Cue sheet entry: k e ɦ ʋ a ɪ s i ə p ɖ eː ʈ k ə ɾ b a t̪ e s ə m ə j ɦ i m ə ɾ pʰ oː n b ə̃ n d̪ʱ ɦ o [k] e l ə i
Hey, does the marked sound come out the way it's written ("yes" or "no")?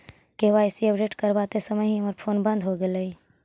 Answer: no